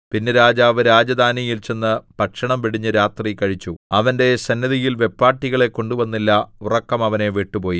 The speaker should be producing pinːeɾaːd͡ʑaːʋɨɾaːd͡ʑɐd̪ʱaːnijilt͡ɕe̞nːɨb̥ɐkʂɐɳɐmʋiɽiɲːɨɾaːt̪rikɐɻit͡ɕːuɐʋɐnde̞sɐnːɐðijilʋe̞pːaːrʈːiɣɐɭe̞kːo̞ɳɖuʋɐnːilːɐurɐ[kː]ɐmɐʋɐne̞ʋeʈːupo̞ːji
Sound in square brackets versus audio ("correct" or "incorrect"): correct